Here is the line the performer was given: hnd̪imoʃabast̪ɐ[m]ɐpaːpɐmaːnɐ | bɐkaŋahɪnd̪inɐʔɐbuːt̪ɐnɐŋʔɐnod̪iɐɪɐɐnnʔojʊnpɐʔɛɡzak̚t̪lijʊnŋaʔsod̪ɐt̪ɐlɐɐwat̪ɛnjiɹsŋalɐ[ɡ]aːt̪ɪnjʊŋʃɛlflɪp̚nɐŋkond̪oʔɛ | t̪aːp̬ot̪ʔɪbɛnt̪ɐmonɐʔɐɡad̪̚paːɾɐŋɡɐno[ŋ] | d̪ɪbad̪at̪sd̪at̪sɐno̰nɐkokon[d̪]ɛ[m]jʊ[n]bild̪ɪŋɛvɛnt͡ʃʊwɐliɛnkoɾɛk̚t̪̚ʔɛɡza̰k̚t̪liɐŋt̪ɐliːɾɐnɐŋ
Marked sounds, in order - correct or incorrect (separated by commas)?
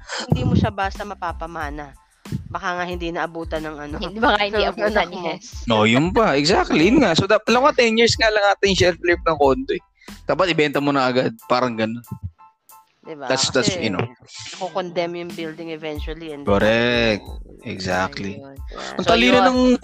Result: correct, incorrect, incorrect, correct, correct, incorrect